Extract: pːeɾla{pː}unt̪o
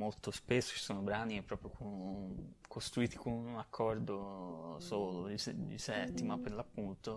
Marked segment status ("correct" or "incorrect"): correct